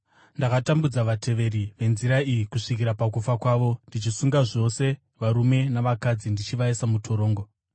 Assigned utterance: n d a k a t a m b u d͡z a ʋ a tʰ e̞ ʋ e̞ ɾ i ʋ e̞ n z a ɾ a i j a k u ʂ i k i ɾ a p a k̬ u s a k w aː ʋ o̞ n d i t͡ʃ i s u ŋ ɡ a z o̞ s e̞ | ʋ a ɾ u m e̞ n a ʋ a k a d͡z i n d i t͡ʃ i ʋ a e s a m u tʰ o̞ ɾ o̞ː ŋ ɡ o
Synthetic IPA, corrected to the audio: n d a k a t a m b u d͡z a ʋ a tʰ e̞ ʋ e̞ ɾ i ʋ e̞ n z i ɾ a i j i k u ʂ i k i ɾ a p a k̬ u f a k w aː ʋ o̞ n d i t͡ʃ i s u ŋ ɡ a ʐ o̞ s e̞ | ʋ a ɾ u m e̞ n a ʋ a k a d͡z i n d i t͡ʃ i ʋ a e s a m u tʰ o̞ ɾ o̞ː ŋ ɡ o